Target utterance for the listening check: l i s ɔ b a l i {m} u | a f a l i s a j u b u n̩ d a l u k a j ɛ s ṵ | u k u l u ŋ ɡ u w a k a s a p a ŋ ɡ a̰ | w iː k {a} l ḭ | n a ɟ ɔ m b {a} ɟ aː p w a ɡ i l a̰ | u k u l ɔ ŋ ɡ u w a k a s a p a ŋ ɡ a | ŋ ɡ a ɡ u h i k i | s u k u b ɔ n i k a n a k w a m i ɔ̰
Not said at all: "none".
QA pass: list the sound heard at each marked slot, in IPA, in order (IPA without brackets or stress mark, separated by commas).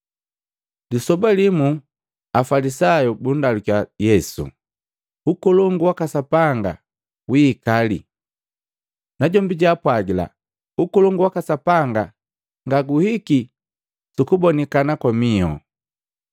m, a, i